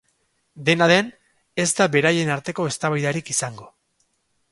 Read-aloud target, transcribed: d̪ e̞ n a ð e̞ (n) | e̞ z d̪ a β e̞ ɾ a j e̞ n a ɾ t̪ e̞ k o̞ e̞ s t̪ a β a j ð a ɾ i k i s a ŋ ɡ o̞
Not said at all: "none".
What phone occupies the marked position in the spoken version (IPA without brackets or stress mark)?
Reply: n